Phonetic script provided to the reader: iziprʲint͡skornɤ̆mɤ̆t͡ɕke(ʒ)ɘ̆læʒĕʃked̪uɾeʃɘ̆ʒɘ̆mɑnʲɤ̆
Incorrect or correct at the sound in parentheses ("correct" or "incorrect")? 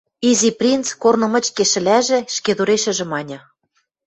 incorrect